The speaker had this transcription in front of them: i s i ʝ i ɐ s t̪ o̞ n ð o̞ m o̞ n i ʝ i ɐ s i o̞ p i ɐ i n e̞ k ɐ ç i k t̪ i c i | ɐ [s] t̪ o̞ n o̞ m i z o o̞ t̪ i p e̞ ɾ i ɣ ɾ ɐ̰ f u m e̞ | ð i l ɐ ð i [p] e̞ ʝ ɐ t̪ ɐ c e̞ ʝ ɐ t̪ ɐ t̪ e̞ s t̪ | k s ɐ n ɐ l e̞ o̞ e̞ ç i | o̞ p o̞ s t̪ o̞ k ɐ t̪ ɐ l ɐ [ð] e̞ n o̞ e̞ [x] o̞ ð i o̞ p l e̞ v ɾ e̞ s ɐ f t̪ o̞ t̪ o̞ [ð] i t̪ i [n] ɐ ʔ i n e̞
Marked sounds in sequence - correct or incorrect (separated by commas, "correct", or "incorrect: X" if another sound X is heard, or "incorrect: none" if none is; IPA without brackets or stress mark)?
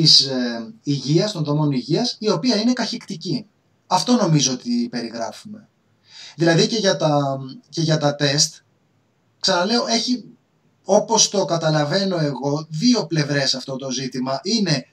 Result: incorrect: f, incorrect: c, incorrect: v, incorrect: ɣ, incorrect: z, incorrect: m